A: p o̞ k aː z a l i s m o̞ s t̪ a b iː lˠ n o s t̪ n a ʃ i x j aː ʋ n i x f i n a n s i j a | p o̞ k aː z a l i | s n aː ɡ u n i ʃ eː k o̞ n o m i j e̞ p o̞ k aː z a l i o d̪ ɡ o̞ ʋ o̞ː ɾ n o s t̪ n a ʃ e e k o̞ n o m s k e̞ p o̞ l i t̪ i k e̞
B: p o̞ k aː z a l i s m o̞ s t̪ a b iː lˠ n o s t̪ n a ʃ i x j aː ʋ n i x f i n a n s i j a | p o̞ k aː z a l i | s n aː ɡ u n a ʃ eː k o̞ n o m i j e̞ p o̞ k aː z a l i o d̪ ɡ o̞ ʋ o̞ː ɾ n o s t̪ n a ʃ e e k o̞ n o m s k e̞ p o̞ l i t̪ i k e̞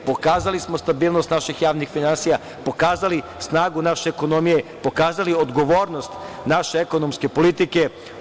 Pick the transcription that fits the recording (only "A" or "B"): B